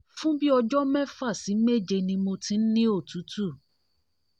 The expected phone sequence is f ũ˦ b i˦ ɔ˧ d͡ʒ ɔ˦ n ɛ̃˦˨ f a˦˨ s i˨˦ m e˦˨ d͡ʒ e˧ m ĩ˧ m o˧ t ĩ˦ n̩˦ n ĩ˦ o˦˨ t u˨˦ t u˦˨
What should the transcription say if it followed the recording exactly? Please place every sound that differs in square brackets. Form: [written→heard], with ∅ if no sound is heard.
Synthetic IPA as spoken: f ũ˦ b i˦ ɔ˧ d͡ʒ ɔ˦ [n→m] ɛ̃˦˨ f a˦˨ s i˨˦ m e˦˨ d͡ʒ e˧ [m→n] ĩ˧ m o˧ t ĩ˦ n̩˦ n ĩ˦ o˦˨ t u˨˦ t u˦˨